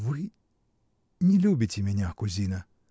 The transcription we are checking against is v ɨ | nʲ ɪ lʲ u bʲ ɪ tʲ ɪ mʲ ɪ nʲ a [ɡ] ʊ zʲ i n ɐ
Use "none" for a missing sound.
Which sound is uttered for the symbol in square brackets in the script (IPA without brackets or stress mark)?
k